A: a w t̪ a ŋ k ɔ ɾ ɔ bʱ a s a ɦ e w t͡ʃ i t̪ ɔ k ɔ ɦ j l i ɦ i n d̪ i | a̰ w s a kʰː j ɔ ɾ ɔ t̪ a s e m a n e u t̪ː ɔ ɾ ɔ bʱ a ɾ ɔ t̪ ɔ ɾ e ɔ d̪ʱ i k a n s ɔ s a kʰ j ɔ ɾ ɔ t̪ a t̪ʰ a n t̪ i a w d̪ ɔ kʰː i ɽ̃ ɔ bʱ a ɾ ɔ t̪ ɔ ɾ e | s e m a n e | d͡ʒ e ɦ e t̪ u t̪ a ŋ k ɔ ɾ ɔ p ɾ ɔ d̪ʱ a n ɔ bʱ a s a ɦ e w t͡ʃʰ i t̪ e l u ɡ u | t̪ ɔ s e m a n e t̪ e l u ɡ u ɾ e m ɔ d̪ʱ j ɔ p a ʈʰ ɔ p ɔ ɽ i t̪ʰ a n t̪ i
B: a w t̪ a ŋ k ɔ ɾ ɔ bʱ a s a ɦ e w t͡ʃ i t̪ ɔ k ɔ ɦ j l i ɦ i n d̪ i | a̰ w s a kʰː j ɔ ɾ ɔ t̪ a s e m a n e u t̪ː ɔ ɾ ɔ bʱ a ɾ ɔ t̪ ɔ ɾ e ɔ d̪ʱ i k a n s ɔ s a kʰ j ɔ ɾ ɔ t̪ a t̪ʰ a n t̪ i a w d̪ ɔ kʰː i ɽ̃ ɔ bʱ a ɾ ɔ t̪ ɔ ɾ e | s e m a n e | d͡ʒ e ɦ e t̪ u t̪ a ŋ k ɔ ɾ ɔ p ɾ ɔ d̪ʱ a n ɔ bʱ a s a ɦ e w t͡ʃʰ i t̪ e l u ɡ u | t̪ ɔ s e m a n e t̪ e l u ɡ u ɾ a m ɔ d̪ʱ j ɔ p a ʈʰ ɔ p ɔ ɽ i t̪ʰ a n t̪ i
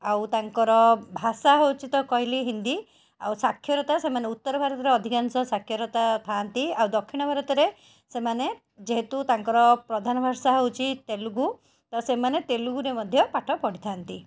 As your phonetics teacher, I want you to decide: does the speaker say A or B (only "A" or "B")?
A